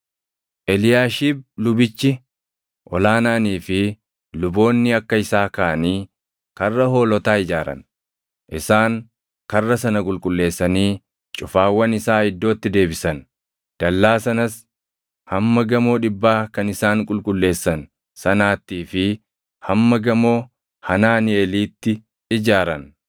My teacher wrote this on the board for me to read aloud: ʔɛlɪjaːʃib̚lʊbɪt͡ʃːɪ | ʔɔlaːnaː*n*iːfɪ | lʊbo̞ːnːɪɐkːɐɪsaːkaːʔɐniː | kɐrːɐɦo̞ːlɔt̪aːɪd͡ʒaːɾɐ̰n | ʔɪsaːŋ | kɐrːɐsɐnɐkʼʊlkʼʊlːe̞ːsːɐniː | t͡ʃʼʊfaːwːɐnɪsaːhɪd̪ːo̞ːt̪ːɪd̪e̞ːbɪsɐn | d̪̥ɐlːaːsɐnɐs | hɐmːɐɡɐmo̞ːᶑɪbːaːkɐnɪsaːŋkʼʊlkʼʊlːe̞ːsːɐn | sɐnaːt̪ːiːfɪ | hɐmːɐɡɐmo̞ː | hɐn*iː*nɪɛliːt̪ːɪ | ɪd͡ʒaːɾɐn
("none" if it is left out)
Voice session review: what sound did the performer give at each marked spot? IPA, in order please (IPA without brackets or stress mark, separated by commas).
n, aː